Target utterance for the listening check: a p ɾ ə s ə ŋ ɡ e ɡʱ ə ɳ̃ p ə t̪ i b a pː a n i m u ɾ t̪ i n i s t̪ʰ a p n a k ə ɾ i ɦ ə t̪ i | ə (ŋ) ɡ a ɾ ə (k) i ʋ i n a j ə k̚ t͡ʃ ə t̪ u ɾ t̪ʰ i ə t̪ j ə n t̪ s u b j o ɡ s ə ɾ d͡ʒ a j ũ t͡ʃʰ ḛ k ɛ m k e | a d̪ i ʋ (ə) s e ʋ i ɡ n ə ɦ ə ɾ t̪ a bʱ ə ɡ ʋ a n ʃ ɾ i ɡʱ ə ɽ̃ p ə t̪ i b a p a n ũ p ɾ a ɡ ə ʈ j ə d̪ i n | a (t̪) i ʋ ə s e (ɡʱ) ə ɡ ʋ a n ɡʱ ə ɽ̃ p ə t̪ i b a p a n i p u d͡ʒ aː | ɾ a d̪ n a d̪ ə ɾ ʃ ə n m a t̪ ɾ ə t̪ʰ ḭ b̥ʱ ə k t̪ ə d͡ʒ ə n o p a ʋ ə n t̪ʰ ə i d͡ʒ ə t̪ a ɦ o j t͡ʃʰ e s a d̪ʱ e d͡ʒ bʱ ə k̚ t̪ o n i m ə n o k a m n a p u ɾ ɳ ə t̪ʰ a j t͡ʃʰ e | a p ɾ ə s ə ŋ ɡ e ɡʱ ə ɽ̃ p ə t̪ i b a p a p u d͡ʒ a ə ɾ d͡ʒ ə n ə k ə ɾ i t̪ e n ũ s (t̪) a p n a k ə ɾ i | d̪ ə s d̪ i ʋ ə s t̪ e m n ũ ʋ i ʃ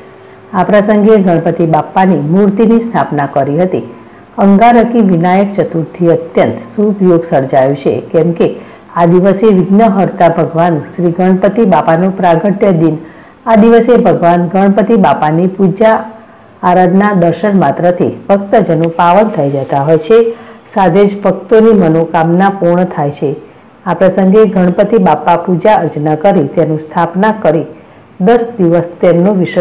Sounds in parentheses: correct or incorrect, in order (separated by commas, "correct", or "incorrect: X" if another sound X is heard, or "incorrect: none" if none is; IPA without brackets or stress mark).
correct, correct, correct, incorrect: d̪, incorrect: bʱ, incorrect: t̪ʰ